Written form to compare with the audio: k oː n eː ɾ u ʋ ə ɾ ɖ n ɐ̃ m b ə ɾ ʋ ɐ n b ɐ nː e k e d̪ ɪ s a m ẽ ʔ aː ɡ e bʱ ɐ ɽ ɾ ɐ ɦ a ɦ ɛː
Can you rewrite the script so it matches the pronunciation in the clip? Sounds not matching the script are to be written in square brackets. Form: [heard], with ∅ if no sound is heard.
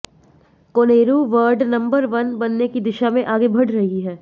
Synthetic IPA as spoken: k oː n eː ɾ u ʋ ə ɾ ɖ n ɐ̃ m b ə ɾ ʋ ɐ n b ɐ nː e k [i] d̪ ɪ [ʃ] a m ẽ ʔ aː ɡ e bʱ ɐ ɽ ɾ ɐ ɦ [i] ɦ ɛː